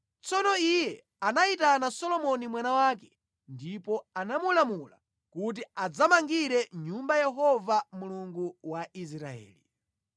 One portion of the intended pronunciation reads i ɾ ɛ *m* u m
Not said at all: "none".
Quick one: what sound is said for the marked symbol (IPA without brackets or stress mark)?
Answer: ɲ